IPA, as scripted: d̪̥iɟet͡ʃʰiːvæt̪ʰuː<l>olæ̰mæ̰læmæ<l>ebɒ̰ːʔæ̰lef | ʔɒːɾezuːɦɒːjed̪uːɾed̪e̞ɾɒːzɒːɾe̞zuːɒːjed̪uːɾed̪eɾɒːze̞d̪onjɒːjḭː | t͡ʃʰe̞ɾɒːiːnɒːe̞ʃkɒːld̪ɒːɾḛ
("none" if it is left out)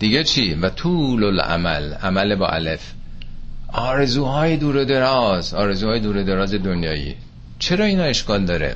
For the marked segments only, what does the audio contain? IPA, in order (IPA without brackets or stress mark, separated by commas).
l, l